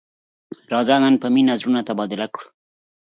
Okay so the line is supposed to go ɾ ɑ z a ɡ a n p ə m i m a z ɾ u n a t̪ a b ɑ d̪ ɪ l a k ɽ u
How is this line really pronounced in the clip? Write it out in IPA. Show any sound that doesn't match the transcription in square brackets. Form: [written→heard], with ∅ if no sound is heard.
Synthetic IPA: ɾ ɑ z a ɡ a n p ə m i [m→n] a z ɾ u n a t̪ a b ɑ d̪ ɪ l a k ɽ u